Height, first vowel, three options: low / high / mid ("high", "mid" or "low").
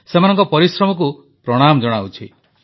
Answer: mid